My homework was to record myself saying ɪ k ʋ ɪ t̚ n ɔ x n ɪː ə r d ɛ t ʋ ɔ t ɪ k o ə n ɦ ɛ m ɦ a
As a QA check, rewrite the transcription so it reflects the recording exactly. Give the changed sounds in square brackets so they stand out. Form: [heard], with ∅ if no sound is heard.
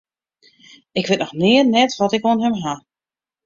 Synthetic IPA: ɪ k ʋ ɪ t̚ n ɔ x n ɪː ə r [n] ɛ t ʋ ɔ t ɪ k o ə n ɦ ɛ m ɦ a